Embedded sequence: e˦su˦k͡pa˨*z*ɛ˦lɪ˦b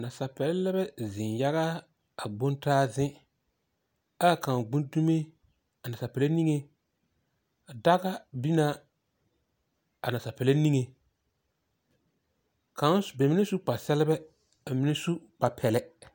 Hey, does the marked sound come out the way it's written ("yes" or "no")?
no